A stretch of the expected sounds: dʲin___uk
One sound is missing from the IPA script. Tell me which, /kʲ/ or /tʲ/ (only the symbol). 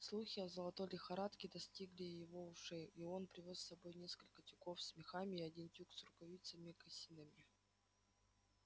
tʲ